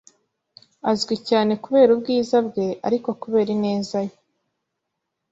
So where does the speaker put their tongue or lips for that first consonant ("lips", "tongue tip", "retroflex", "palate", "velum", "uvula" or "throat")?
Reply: tongue tip